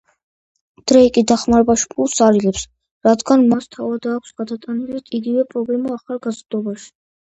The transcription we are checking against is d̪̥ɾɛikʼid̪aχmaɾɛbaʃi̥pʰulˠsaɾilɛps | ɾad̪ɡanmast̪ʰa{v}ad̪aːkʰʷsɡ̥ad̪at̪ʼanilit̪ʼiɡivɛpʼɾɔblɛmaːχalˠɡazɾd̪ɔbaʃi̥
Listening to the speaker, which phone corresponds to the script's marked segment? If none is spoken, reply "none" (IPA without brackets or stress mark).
v